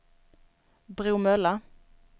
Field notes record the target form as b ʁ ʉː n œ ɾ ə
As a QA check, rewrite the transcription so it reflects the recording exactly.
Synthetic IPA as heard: b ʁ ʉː m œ l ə